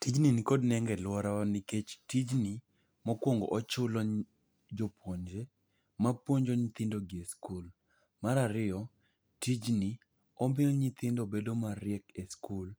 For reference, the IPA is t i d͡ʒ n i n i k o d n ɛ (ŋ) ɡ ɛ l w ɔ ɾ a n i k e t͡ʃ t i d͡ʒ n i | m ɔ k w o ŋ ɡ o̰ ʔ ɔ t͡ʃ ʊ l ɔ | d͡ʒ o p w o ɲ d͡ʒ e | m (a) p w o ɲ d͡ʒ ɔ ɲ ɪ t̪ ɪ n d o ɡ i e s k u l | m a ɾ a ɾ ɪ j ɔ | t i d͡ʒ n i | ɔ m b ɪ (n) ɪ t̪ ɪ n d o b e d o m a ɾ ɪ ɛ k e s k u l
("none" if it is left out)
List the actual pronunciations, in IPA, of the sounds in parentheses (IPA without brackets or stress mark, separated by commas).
ŋ, a, ɲ